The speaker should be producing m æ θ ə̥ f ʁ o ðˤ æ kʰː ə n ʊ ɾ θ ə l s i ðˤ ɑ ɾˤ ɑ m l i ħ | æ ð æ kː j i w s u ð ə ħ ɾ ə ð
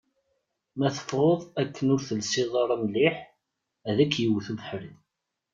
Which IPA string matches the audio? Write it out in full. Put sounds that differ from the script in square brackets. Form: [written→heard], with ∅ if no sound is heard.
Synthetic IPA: m æ θ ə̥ f ʁ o ðˤ æ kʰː ə n ʊ ɾ θ ə l s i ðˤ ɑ ɾˤ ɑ m l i ħ | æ ð æ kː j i w [s→θ] u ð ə ħ ɾ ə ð